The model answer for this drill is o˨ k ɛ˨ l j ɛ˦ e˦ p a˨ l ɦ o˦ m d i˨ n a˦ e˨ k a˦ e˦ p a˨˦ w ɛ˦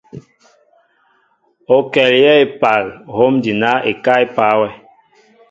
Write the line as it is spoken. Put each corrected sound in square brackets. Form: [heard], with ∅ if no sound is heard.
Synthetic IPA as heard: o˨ k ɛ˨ l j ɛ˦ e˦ p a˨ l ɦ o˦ m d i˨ n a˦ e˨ k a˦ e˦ p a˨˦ w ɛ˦